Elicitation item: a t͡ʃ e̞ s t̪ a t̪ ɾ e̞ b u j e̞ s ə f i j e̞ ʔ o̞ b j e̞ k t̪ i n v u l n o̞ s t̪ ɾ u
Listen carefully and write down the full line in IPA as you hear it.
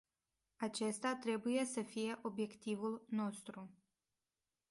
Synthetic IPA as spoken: a t͡ʃ e̞ s t̪ a t̪ ɾ e̞ b u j e̞ s ə f i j e̞ ʔ o̞ b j e̞ k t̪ i v u l n o̞ s t̪ ɾ u